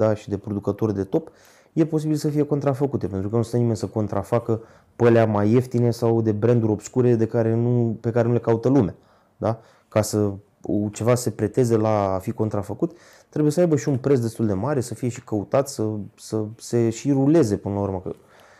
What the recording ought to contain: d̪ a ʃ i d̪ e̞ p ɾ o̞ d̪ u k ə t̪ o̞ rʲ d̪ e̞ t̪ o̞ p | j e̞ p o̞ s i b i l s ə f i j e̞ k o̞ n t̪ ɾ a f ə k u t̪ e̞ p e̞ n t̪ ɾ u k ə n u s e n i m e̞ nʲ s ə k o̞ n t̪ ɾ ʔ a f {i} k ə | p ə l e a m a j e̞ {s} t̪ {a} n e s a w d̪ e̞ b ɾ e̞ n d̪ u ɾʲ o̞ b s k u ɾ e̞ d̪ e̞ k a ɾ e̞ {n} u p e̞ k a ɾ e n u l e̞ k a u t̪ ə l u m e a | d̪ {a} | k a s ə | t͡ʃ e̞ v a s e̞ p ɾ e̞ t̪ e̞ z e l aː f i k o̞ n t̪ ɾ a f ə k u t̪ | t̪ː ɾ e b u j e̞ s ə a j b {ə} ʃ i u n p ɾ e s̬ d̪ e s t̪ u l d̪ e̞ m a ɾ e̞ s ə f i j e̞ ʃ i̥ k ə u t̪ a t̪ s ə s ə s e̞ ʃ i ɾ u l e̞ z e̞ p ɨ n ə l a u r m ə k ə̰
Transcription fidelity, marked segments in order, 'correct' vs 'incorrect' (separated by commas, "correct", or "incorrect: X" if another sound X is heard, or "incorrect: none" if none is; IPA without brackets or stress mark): incorrect: a, incorrect: f, incorrect: i, correct, correct, correct